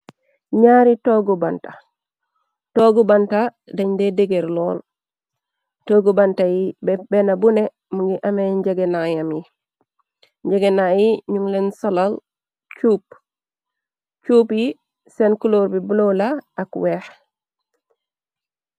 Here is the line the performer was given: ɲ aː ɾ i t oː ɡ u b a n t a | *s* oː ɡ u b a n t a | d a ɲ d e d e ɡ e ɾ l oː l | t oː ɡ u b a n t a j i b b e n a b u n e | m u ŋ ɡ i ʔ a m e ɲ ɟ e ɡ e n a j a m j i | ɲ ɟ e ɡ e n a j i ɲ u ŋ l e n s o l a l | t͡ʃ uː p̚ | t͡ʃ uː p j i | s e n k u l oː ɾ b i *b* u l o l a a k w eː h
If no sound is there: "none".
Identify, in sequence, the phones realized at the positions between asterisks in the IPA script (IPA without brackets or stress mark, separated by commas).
t, b